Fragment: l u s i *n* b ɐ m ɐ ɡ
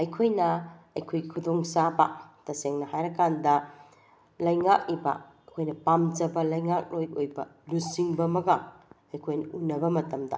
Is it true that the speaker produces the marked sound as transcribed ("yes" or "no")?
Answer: no